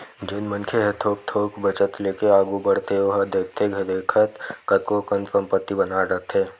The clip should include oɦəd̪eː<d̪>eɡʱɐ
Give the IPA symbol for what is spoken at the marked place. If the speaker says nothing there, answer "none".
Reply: t̪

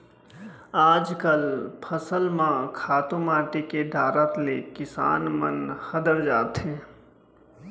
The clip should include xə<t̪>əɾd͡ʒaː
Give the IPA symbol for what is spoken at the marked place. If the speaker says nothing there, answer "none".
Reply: d̪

